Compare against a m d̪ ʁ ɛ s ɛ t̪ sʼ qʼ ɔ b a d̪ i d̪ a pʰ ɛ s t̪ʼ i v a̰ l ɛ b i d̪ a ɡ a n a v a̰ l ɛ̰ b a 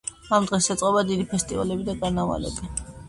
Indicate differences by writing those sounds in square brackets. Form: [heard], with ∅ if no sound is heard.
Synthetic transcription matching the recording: a m d̪ ʁ ɛ s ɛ t̪ sʼ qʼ ɔ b a d̪ i d̪ [i] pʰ ɛ s t̪ʼ i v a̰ l ɛ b i d̪ a ɡ a n a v a̰ l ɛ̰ b [i]